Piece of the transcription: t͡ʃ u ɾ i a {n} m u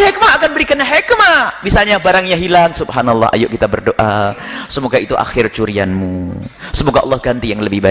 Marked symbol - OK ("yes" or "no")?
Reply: yes